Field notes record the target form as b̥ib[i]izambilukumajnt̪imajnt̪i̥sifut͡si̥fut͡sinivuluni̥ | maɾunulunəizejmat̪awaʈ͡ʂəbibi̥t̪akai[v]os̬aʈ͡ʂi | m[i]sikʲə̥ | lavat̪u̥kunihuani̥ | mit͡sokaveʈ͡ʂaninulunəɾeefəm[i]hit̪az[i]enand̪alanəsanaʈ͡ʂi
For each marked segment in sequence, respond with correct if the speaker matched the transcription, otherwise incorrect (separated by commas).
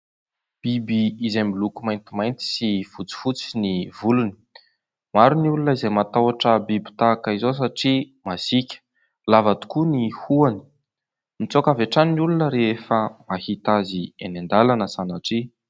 correct, incorrect, incorrect, incorrect, correct